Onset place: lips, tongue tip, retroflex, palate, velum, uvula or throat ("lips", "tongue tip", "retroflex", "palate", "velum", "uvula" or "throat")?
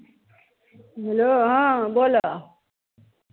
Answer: throat